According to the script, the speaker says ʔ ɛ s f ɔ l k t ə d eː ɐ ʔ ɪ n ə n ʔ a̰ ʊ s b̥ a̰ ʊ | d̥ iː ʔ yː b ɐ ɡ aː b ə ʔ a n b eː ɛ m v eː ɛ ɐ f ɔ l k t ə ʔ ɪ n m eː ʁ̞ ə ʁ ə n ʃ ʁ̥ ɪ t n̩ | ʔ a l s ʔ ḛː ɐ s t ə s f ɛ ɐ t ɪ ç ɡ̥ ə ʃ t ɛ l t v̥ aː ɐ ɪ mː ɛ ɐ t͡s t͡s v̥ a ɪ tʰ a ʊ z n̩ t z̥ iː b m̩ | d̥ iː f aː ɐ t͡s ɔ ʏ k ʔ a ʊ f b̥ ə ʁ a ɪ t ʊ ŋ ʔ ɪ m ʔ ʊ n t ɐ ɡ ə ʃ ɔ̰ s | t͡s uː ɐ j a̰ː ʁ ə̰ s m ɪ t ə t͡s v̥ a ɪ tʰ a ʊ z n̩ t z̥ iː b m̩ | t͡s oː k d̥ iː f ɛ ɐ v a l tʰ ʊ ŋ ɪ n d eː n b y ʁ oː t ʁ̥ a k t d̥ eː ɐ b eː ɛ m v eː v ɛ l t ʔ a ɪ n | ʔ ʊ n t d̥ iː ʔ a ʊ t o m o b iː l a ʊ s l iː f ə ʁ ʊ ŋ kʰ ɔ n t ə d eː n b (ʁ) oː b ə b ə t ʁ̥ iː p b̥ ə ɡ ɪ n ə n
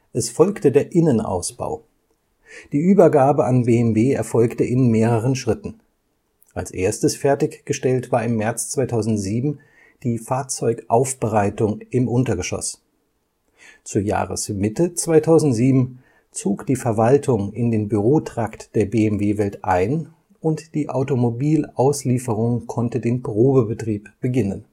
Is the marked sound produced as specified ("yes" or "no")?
yes